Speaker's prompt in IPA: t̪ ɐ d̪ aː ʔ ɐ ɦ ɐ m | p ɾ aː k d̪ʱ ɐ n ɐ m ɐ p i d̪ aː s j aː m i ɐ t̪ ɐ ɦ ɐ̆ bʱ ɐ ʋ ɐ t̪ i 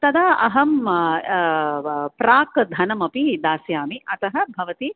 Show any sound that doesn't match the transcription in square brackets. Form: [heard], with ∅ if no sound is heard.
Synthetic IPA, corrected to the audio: t̪ ɐ d̪ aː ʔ ɐ ɦ ɐ m | p ɾ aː k d̪ʱ ɐ n ɐ m ɐ p i d̪ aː s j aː m i ɐ t̪ ɐ ɦ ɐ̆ bʱ ɐ ʋ ɐ t̪ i

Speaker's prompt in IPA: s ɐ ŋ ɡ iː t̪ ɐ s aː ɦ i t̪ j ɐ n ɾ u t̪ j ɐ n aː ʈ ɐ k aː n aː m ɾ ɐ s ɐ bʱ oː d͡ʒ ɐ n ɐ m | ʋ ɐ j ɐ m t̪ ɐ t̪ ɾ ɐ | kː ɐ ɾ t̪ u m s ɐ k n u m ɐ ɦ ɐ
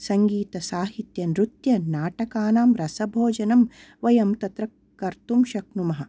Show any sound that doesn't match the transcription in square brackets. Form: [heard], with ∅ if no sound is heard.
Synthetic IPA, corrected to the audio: s ɐ ŋ ɡ iː t̪ ɐ s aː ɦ i t̪ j ɐ n ɾ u t̪ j ɐ n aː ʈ ɐ k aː n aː m ɾ ɐ s ɐ bʱ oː d͡ʒ ɐ n ɐ m | ʋ ɐ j ɐ m t̪ ɐ t̪ ɾ ɐ | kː ɐ ɾ t̪ u m [ʃ] ɐ k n u m ɐ ɦ ɐ

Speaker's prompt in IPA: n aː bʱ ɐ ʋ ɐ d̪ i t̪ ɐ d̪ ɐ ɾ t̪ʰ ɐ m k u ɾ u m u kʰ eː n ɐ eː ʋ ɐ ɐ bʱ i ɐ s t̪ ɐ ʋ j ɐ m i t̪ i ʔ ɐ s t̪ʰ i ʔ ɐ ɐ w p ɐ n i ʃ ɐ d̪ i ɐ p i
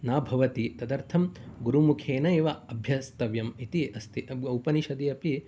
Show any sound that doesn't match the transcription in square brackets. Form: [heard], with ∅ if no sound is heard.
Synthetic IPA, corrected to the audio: n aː bʱ ɐ ʋ ɐ [t̪] i t̪ ɐ d̪ ɐ ɾ t̪ʰ ɐ m [ɡ] u ɾ u m u kʰ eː n ɐ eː ʋ ɐ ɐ bʱ [j] ɐ s t̪ ɐ ʋ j ɐ m i t̪ i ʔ ɐ s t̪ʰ i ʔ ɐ ɐ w p ɐ n i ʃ ɐ d̪ i ɐ p i

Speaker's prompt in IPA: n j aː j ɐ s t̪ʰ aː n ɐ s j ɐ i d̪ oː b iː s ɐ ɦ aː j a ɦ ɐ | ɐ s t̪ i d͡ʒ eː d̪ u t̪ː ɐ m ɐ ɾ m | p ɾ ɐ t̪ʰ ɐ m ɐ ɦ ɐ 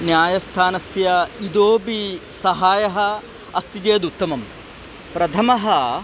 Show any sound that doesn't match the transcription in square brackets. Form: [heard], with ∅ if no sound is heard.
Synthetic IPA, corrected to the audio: n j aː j ɐ s t̪ʰ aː n ɐ s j ɐ i d̪ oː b [i] s ɐ ɦ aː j [ɐ] ɦ ɐ | ɐ s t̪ i d͡ʒ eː d̪ u t̪ː ɐ m ɐ [∅] m | p ɾ ɐ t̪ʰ ɐ m ɐ ɦ ɐ

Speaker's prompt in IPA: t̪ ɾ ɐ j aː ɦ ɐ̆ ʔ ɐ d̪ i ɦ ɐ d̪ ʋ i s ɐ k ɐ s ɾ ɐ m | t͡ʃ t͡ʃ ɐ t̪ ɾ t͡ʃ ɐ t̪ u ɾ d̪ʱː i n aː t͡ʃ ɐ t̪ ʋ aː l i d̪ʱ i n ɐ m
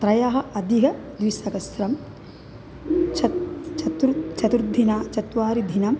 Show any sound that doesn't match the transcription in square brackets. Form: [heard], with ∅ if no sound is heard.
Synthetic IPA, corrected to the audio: t̪ ɾ ɐ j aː ɦ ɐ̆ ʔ ɐ d̪ i ɦ ɐ d̪ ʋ i s ɐ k ɐ s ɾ ɐ m | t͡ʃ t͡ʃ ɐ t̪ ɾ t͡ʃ ɐ t̪ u ɾ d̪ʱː i n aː t͡ʃ ɐ t̪ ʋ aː [ɾ] i d̪ʱ i n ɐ m

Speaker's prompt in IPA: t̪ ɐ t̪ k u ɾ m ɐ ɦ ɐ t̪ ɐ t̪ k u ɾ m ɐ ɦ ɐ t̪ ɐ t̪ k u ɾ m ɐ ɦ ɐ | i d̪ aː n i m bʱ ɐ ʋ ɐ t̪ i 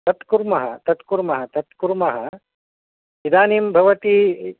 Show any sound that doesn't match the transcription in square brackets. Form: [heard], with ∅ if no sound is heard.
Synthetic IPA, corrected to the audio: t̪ ɐ t̪ k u ɾ m ɐ ɦ ɐ t̪ ɐ t̪ k u ɾ m ɐ ɦ ɐ t̪ ɐ t̪ k u ɾ m ɐ ɦ ɐ | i d̪ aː n i m bʱ ɐ ʋ ɐ t̪ i

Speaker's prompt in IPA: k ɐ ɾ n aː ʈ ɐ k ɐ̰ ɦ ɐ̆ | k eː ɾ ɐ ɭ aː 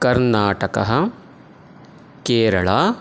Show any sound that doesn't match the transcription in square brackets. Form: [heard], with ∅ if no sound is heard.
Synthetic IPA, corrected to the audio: k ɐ ɾ n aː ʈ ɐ k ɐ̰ ɦ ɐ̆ | k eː ɾ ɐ ɭ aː

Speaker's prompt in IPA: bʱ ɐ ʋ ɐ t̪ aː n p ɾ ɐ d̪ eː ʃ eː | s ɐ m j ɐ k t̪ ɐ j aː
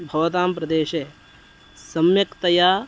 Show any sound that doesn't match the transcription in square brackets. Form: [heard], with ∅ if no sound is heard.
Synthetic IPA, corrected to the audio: bʱ ɐ ʋ ɐ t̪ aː [m] p ɾ ɐ d̪ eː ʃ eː | s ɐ m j ɐ k t̪ ɐ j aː

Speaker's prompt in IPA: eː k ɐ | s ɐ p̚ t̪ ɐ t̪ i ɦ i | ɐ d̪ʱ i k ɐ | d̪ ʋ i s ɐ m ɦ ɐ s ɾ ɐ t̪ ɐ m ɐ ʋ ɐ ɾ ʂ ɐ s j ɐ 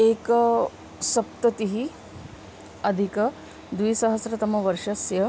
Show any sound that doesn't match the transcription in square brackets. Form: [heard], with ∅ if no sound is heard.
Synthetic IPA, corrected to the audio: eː k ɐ | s ɐ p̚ t̪ ɐ t̪ i ɦ i | ɐ d̪ʱ i k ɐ | d̪ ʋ i s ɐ [∅] ɦ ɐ s ɾ ɐ t̪ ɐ m ɐ ʋ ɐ ɾ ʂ ɐ s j ɐ

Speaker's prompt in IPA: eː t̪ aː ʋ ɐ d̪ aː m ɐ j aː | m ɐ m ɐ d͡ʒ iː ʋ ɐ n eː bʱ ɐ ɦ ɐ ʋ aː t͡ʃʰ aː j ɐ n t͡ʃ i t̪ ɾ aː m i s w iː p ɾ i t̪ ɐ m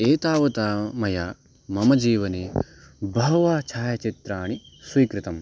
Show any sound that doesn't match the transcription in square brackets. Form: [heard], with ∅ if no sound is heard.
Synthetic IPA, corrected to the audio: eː t̪ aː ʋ ɐ [t̪] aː m ɐ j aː | m ɐ m ɐ d͡ʒ iː ʋ ɐ n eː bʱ ɐ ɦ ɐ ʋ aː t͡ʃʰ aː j ɐ [∅] t͡ʃ i t̪ ɾ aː [ɳ] i s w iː [k] ɾ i t̪ ɐ m

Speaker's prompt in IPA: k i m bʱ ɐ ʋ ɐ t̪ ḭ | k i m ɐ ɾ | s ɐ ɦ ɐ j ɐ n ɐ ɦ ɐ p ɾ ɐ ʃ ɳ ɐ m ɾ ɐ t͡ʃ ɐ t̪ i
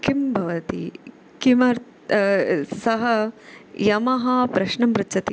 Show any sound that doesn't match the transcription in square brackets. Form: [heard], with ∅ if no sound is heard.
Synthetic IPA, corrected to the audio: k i m bʱ ɐ ʋ ɐ t̪ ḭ | k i m ɐ ɾ | s ɐ ɦ ɐ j ɐ [m] ɐ ɦ ɐ p ɾ ɐ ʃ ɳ ɐ m ɾ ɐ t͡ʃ ɐ t̪ i

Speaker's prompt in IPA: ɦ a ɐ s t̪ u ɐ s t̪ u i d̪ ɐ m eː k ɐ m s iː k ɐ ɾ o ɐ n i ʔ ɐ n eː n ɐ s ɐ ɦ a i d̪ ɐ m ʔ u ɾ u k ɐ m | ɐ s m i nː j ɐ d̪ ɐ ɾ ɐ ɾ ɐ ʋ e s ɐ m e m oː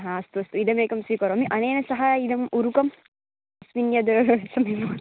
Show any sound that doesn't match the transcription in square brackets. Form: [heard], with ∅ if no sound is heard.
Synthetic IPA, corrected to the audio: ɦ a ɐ s t̪ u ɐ s t̪ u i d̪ ɐ m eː k ɐ m s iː k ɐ ɾ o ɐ [m] i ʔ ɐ n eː n ɐ s ɐ ɦ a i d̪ ɐ m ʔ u ɾ u k ɐ m | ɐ s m i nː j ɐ d̪ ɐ ɾ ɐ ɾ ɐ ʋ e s ɐ m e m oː

